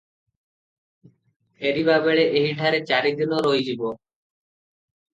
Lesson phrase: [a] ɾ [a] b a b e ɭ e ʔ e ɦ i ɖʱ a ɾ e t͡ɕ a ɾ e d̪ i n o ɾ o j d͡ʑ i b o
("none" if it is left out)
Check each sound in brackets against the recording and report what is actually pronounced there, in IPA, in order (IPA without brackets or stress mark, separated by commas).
e, i